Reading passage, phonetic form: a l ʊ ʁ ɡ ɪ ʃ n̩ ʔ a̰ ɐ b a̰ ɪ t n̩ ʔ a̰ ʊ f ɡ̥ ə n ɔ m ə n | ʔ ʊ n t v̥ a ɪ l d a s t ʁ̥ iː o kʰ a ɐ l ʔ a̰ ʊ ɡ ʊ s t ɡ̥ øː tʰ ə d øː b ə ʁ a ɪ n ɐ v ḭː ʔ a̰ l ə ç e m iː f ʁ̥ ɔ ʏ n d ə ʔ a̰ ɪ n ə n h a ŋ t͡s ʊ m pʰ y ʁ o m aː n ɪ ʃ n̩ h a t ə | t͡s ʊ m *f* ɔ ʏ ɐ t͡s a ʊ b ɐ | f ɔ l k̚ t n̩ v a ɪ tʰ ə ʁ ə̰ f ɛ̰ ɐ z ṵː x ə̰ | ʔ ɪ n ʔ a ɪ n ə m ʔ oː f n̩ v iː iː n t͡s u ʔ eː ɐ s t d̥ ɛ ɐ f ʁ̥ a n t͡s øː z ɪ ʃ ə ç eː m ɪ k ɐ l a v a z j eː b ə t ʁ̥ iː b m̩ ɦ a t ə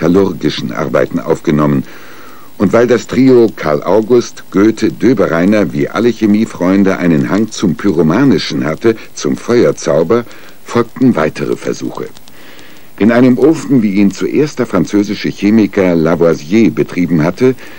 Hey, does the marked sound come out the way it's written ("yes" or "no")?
yes